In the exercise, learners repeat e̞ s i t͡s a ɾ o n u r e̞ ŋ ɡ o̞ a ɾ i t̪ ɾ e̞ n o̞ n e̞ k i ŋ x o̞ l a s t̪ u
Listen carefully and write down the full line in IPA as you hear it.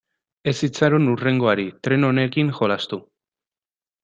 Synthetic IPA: e̞ s i t͡s a ɾ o n u r e̞ ŋ ɡ o̞ a ɾ i t̪ ɾ e̞ n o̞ n e̞ k i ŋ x o̞ l a s t̪ u